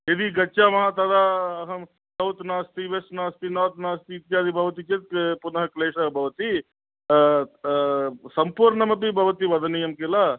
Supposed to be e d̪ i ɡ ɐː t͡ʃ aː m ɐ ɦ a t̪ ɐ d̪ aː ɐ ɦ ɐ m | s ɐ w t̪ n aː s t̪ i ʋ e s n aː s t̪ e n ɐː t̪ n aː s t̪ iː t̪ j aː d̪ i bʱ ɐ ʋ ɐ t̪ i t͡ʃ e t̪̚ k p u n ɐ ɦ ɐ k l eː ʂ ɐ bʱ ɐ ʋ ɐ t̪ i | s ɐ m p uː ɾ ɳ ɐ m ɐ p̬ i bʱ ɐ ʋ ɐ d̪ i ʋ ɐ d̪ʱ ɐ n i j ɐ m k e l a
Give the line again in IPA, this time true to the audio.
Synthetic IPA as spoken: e d̪ i ɡ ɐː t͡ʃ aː m ɐ ɦ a t̪ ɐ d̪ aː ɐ ɦ ɐ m | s ɐ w t̪ n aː s t̪ i ʋ e s n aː s t̪ i n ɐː t̪ n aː s t̪ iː t̪ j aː d̪ i bʱ ɐ ʋ ɐ t̪ i t͡ʃ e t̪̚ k p u n ɐ ɦ ɐ k l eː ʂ ɐ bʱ ɐ ʋ ɐ t̪ i | s ɐ m p uː ɾ ɳ ɐ m ɐ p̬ i bʱ ɐ ʋ ɐ t̪ i ʋ ɐ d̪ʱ ɐ n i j ɐ m k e l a